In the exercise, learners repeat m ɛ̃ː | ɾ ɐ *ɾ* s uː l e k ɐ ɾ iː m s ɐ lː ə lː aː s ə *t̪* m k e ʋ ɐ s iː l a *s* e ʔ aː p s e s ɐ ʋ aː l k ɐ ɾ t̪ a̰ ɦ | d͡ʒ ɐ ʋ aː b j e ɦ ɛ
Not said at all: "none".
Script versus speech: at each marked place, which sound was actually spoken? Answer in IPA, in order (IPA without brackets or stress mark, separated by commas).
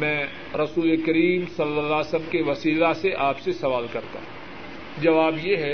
none, none, s